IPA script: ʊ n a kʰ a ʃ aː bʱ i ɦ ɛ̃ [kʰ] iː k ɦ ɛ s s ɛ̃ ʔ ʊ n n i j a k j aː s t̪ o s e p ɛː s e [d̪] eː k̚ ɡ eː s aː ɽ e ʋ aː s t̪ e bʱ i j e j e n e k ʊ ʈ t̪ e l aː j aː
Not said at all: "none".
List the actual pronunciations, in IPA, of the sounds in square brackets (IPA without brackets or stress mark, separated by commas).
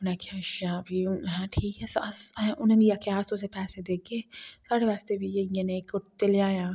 ʈʰ, d̪